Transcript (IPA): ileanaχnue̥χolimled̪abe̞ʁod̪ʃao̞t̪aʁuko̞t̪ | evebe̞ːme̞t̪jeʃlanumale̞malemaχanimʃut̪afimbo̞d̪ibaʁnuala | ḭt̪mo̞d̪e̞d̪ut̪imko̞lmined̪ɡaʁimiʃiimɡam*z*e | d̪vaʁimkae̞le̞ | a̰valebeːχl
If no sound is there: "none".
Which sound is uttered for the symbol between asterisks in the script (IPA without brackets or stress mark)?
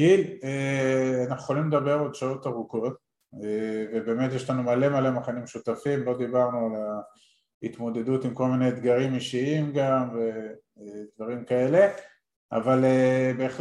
v